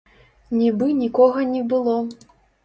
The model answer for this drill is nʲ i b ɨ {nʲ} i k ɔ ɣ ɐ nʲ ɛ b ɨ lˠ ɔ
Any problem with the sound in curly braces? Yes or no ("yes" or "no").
no